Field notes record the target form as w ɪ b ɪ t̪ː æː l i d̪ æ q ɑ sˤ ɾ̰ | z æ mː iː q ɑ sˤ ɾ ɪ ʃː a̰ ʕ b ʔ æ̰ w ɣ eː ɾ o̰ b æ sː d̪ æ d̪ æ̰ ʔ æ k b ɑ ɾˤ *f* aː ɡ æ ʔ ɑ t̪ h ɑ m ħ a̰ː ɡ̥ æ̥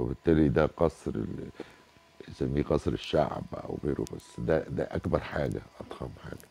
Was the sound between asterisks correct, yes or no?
no